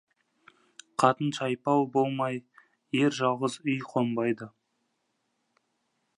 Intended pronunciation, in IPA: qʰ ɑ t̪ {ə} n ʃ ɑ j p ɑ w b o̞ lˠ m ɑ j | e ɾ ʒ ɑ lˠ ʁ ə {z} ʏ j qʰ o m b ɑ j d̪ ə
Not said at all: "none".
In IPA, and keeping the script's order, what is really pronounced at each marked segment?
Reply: ə, z

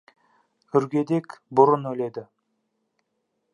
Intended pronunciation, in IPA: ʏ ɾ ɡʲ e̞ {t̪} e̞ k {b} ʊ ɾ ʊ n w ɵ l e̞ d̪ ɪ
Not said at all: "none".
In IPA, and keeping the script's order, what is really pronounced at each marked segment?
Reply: d̪, b

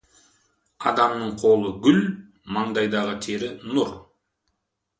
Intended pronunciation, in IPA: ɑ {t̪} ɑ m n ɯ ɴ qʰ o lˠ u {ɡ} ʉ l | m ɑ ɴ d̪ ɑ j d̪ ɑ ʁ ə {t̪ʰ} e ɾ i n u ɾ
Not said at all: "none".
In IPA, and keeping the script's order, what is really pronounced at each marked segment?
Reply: d̪, ɡ, t̪ʰ

